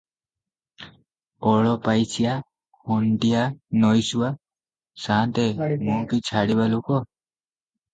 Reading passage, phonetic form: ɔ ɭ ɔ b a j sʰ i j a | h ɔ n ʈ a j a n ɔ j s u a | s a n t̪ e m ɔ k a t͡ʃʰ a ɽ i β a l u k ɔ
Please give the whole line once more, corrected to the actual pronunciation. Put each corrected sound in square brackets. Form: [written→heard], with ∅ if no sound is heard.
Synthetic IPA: ɔ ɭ ɔ [b→p] a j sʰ i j a | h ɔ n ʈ [a→i] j a n ɔ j s u a | s a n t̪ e m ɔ k [a→i] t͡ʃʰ a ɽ i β a l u k ɔ